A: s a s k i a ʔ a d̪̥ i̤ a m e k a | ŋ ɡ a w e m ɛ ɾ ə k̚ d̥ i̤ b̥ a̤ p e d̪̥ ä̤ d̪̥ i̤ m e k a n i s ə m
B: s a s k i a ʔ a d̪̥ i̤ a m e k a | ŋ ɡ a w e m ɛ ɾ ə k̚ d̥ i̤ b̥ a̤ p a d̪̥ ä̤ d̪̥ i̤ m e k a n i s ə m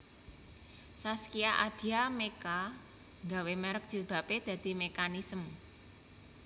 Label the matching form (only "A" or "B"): A